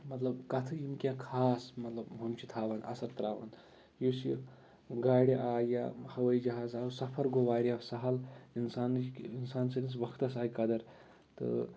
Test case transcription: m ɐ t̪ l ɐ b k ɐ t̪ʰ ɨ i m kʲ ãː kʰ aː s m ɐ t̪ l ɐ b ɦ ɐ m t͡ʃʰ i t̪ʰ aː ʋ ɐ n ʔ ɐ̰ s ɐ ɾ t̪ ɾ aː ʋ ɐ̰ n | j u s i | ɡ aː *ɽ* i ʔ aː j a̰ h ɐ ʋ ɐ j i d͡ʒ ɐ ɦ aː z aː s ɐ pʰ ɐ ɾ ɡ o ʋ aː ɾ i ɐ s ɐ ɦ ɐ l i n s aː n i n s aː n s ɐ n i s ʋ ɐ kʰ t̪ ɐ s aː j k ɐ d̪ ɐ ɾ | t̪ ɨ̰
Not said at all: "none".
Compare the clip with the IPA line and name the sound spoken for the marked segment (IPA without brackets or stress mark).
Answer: ɽ